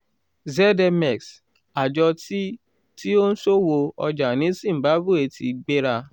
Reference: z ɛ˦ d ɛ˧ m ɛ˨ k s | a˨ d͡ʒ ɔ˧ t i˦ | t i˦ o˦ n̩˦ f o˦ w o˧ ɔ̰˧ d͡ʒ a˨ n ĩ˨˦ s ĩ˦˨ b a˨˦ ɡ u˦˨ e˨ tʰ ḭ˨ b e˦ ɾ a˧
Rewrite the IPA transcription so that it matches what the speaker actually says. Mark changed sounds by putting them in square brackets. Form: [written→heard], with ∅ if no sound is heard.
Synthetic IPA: z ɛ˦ d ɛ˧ m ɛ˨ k s | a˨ d͡ʒ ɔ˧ t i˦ | t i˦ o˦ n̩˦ [f→s] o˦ w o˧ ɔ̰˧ d͡ʒ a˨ n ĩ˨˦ s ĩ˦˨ b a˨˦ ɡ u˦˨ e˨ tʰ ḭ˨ [b→ɡ͡b] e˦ ɾ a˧